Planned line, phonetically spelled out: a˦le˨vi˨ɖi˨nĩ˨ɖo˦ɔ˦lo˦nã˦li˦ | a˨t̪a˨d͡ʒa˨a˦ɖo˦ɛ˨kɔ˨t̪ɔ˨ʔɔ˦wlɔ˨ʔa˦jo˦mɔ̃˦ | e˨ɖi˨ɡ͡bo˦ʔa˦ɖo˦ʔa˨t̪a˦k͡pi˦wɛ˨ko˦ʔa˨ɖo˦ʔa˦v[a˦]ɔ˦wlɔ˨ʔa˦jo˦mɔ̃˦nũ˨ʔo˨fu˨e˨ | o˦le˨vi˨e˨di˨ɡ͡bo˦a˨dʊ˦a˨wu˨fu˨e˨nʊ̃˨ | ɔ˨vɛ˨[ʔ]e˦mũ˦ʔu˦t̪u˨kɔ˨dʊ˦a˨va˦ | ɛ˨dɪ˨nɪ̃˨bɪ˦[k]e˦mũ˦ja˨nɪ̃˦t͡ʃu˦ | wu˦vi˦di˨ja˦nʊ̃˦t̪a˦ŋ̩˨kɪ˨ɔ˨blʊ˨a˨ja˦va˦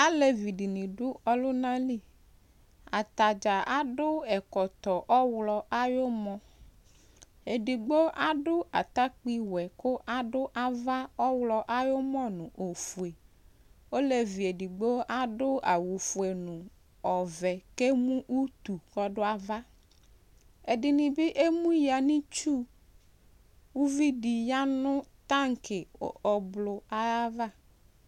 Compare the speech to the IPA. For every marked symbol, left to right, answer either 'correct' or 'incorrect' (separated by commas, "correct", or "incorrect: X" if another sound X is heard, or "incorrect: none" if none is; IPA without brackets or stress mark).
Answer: correct, incorrect: k, incorrect: ʔ